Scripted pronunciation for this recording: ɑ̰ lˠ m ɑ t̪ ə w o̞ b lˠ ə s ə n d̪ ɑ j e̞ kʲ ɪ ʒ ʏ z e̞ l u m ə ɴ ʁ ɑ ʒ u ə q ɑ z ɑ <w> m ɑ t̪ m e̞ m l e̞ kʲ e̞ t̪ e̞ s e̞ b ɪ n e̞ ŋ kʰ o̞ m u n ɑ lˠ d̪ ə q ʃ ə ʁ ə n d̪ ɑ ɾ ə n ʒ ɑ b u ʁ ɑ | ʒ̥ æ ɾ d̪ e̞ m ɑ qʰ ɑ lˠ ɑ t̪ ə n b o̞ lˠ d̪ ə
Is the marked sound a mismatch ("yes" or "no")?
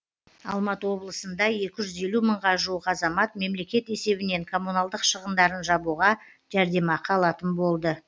yes